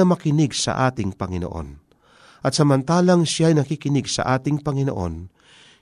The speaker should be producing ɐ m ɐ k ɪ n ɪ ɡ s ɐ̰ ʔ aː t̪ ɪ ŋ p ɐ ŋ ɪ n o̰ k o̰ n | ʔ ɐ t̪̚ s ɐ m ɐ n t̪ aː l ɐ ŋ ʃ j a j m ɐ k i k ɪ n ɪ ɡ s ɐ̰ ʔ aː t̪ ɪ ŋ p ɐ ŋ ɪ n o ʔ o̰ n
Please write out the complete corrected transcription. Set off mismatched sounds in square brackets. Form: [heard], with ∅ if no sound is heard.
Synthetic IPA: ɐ m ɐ k ɪ n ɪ ɡ s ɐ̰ ʔ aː t̪ ɪ ŋ p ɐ ŋ ɪ n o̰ [ʔ] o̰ n | ʔ ɐ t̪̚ s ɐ m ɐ n t̪ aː l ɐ ŋ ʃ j a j [n] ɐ k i k ɪ n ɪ ɡ s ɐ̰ ʔ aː t̪ ɪ ŋ p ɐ ŋ ɪ n o ʔ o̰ n